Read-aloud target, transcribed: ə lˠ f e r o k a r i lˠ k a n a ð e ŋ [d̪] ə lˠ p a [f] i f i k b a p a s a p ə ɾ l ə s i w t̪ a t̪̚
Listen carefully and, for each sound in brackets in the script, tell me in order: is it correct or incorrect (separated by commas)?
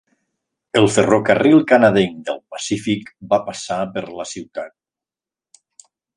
correct, incorrect